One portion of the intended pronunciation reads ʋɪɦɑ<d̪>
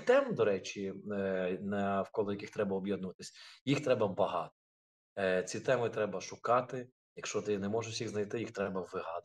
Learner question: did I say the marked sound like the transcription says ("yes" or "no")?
yes